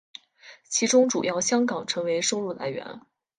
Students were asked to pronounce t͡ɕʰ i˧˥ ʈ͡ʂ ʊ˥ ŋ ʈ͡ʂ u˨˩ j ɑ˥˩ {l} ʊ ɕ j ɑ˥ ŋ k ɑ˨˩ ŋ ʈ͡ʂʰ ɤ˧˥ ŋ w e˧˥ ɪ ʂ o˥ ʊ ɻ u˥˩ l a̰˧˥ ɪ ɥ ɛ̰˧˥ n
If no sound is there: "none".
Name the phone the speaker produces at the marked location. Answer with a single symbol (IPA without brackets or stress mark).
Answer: none